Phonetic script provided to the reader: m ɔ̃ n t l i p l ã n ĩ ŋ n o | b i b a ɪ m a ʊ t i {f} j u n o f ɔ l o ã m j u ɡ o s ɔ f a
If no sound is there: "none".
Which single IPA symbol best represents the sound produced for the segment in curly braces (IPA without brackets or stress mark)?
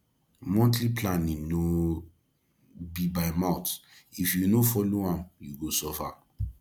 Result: f